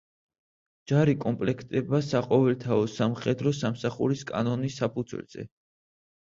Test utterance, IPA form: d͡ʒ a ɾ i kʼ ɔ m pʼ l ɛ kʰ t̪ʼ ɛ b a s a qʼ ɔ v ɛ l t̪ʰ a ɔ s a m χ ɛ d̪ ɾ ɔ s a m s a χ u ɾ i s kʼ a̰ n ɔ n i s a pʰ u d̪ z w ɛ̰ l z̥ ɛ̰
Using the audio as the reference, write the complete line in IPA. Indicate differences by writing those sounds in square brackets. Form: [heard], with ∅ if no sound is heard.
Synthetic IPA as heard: d͡ʒ a ɾ i kʼ ɔ m pʼ l ɛ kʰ t̪ʼ ɛ b a s a qʼ ɔ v ɛ l t̪ʰ a ɔ s a m χ ɛ d̪ ɾ ɔ s a m s a χ u ɾ i s kʼ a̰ n ɔ n i s a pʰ u d̪ z w ɛ̰ l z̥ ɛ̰

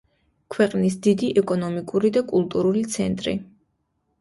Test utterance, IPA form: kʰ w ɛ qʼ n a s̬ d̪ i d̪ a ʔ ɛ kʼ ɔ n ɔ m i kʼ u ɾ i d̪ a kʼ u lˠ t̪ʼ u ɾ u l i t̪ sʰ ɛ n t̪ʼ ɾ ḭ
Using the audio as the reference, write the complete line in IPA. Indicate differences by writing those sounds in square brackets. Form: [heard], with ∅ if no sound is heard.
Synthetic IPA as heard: kʰ w ɛ qʼ n [i] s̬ d̪ i d̪ [i] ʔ ɛ kʼ ɔ n ɔ m i kʼ u ɾ i d̪ a kʼ u lˠ t̪ʼ u ɾ u l i t̪ sʰ ɛ n t̪ʼ ɾ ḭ

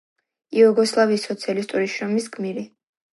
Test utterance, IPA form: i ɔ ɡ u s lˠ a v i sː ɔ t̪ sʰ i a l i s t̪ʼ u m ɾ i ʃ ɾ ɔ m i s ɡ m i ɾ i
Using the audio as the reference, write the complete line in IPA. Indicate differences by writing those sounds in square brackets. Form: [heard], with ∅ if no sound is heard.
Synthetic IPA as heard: i ɔ ɡ [ɔ] s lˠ a v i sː ɔ t̪ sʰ i a l i s t̪ʼ u [∅] ɾ i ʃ ɾ ɔ m i s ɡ m i ɾ i

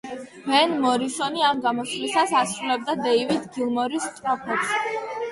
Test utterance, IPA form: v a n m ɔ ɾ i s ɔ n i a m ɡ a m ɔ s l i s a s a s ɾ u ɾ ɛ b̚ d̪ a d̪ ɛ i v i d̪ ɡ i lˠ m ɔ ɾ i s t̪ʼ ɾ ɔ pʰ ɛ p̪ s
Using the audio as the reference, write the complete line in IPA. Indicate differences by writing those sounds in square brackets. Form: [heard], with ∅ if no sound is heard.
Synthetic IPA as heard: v [ɛ] n m ɔ ɾ i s ɔ n i a m ɡ a m ɔ s l i s a s a s ɾ u [l] ɛ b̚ d̪ a d̪ ɛ i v i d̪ ɡ i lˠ m ɔ ɾ i s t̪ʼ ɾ ɔ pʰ ɛ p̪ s

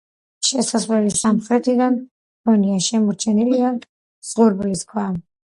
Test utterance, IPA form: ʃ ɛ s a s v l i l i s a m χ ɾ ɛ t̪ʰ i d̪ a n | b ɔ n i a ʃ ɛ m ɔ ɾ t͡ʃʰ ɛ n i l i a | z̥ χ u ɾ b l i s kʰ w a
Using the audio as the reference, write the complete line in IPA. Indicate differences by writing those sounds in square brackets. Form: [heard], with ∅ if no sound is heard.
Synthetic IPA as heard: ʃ ɛ s a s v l [ɛ] l i s a m χ ɾ ɛ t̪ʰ i d̪ a n | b ɔ n i a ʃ ɛ m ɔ ɾ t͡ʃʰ ɛ n i l i a | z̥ [ʁ] u ɾ b l i s kʰ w a

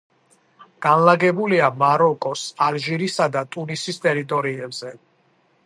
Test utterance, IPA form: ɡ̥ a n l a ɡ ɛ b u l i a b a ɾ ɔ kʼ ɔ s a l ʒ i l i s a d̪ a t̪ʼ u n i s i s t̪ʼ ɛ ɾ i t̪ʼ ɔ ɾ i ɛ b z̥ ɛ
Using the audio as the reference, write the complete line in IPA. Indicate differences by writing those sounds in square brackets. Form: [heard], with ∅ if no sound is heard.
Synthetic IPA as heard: ɡ̥ a n l a ɡ ɛ b u l i a [m] a ɾ ɔ kʼ ɔ s a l ʒ i [ɾ] i s a d̪ a t̪ʼ u n i s i s t̪ʼ ɛ ɾ i t̪ʼ ɔ ɾ i ɛ b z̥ ɛ

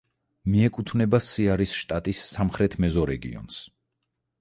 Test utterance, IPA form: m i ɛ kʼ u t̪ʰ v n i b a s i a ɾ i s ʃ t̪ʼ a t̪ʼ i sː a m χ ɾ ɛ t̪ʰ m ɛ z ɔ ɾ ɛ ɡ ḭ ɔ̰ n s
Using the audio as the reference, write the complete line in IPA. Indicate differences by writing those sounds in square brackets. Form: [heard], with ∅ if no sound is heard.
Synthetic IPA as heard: m i ɛ kʼ u t̪ʰ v n [ɛ] b a s i a ɾ i s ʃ t̪ʼ a t̪ʼ i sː a m χ ɾ ɛ t̪ʰ m ɛ z ɔ ɾ ɛ ɡ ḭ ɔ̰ n s

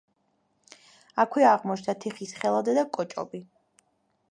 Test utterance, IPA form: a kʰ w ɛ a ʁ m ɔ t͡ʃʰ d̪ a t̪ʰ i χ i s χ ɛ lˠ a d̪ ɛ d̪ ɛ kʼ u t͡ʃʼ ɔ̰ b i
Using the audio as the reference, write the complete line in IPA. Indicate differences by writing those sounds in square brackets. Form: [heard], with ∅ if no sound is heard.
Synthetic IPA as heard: a kʰ w ɛ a ʁ m ɔ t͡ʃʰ d̪ a t̪ʰ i χ i s χ ɛ lˠ a d̪ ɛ d̪ [a] kʼ [ɔ] t͡ʃʼ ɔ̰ b i

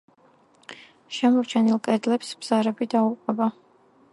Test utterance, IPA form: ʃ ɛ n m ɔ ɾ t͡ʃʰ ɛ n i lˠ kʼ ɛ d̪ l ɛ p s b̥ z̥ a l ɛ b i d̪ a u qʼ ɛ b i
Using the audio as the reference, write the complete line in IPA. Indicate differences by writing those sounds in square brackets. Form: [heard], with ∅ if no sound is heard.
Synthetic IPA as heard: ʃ ɛ [∅] m ɔ ɾ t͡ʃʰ ɛ n i lˠ kʼ ɛ d̪ l ɛ p s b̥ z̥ a [ɾ] ɛ b i d̪ a u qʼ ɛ b [a]

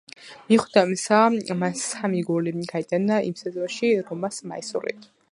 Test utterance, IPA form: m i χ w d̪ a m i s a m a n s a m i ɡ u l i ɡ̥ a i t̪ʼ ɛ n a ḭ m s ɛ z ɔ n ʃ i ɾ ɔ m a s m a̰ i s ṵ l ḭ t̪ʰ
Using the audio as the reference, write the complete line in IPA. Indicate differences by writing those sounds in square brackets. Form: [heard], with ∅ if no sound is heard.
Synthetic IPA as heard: m i χ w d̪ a m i s a m a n s a m i ɡ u l i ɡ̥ a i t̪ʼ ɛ n a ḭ m s ɛ z ɔ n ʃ i ɾ ɔ m a s m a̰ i s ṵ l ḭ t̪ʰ

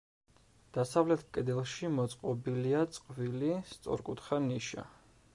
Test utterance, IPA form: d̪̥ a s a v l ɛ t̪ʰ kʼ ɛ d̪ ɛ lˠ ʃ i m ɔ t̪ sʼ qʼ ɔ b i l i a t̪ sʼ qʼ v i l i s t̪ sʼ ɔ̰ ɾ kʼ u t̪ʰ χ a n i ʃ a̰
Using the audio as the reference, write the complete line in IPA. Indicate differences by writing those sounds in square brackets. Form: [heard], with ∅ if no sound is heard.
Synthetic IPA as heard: d̪̥ a s a v l ɛ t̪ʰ kʼ ɛ d̪ ɛ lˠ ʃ i m ɔ t̪ sʼ qʼ ɔ b i l i a t̪ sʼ qʼ v i l i s t̪ sʼ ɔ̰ ɾ kʼ u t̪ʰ χ a n i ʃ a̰

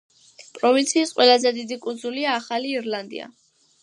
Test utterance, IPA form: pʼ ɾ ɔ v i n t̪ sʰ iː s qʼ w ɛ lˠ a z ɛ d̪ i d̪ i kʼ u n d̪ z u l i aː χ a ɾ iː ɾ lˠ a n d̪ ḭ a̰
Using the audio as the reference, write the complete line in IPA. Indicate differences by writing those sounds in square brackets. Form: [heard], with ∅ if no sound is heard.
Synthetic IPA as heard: pʼ ɾ ɔ v i n t̪ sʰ iː s qʼ w ɛ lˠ a z ɛ d̪ i d̪ i kʼ u n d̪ z u l i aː χ a [l] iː ɾ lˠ a n d̪ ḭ a̰

